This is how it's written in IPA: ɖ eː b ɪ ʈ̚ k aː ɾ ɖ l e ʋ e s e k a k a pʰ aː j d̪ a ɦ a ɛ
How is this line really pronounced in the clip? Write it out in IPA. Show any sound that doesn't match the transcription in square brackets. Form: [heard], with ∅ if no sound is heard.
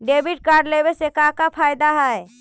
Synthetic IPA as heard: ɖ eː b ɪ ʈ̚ k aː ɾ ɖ l e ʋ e s e k a k a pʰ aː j d̪ a ɦ [ɛ] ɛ